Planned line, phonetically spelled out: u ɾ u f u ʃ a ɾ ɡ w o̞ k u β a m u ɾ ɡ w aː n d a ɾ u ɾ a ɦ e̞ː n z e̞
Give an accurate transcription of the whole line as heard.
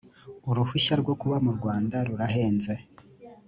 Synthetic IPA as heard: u ɾ u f u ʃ a ɾ ɡ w o̞ k u β a m u ɾ ɡ w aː n d a ɾ u ɾ a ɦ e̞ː n z e̞